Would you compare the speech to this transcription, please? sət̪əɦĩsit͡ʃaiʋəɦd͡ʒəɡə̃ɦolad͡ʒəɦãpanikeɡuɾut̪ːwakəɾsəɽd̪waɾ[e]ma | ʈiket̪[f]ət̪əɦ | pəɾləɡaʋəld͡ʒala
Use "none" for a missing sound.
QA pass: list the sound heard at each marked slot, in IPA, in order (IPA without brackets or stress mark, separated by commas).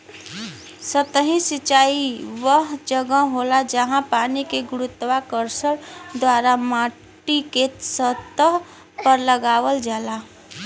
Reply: a, s